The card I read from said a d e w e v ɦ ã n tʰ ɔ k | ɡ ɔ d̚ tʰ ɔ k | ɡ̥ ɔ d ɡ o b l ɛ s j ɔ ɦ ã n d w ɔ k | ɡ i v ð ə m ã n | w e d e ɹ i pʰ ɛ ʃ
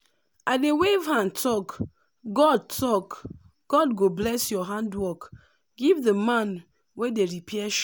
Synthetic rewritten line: a d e w e v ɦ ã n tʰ ɔ k | ɡ ɔ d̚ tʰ ɔ k | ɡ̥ ɔ d ɡ o b l ɛ s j ɔ ɦ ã n d w ɔ k | ɡ i v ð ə m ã n | w e d e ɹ i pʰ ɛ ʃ